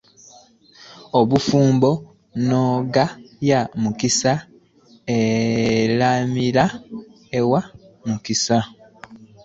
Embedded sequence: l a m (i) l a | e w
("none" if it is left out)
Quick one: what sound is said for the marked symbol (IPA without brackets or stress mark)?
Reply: i